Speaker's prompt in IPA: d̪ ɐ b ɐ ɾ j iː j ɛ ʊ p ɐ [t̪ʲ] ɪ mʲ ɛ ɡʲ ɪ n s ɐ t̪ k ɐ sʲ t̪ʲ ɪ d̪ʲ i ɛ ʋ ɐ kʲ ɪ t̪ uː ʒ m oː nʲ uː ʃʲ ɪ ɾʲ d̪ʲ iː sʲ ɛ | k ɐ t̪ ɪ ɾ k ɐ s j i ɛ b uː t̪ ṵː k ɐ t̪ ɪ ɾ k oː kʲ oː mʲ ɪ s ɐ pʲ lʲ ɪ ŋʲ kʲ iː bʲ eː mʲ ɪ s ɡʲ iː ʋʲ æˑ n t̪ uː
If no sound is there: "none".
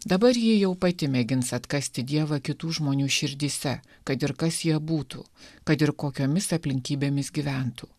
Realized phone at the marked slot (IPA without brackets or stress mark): t̪ʲ